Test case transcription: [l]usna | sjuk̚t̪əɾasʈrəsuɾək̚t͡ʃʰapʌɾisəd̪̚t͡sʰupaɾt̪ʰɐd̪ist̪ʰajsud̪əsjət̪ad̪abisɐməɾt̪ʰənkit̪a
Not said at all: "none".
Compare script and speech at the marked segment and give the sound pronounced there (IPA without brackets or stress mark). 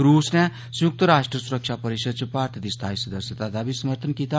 ɾ